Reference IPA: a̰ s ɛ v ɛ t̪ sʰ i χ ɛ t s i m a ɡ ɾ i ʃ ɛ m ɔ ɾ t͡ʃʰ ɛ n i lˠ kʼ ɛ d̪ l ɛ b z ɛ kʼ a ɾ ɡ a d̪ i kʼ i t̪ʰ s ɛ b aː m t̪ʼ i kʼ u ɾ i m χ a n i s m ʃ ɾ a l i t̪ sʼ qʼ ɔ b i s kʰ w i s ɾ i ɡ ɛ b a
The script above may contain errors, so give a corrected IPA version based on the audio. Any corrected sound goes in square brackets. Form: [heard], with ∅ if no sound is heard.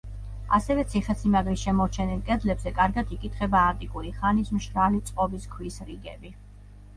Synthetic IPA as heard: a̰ s ɛ v ɛ t̪ sʰ i χ ɛ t s i m a ɡ ɾ i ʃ ɛ m ɔ ɾ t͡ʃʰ ɛ n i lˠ kʼ ɛ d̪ l ɛ b z ɛ kʼ a ɾ ɡ a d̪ i kʼ i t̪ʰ [χ] ɛ b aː [n] t̪ʼ i kʼ u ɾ i [∅] χ a n i s m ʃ ɾ a l i t̪ sʼ qʼ ɔ b i s kʰ w i s ɾ i ɡ ɛ b [i]